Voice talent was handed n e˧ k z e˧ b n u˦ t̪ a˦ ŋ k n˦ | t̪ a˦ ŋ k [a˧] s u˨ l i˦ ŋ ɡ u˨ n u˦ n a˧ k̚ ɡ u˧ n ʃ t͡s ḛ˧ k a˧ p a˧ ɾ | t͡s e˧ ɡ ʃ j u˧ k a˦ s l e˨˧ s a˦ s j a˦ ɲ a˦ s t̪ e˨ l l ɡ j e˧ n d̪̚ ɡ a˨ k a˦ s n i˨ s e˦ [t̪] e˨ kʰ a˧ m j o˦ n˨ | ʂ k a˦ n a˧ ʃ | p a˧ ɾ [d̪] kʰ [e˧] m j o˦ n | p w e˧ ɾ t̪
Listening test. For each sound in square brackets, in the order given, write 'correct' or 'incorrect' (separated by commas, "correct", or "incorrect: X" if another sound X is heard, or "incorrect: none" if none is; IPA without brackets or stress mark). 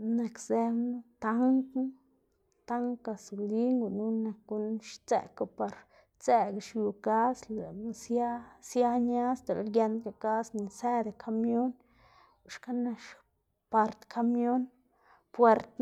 correct, incorrect: d̪, incorrect: t̪, incorrect: a˧